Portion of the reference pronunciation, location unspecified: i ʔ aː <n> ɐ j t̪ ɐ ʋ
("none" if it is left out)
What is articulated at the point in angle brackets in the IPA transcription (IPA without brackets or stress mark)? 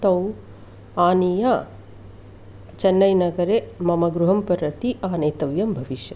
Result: n